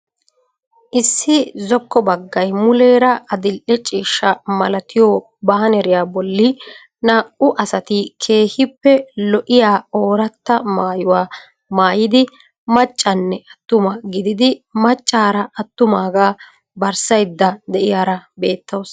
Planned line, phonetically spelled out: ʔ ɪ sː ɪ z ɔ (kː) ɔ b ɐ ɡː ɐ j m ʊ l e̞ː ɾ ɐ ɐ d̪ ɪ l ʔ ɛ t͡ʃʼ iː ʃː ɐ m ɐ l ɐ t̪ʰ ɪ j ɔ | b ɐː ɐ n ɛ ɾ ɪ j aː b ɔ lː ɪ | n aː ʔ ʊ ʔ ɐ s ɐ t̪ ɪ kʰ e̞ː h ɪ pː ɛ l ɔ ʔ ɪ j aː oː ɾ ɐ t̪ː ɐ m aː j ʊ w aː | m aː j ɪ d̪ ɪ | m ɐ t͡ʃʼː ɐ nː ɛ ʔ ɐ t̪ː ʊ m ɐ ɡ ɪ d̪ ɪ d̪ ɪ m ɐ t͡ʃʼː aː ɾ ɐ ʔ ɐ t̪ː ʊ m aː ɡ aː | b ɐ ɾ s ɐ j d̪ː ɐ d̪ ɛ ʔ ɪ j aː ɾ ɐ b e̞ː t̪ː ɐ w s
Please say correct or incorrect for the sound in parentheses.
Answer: correct